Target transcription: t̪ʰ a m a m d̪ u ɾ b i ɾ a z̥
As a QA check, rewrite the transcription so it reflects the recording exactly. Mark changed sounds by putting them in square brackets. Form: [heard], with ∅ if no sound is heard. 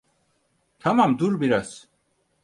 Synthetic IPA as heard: t̪ʰ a m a m d̪ u ɾ b i ɾ a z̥